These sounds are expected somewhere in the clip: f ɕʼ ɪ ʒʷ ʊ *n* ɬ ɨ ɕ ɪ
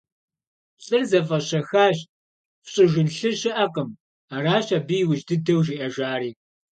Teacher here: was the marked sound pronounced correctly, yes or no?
yes